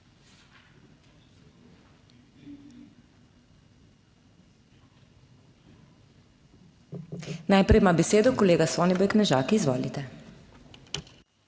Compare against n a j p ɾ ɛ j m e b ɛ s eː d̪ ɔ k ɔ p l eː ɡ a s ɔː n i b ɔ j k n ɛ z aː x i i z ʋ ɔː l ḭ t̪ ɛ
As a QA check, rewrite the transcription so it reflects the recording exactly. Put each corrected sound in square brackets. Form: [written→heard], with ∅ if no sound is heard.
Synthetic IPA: n a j p ɾ ɛ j m [e→a] b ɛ s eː d̪ ɔ k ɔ [p→∅] l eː ɡ a s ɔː n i b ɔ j k n ɛ [z→ʒ] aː [x→k] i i z ʋ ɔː l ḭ t̪ ɛ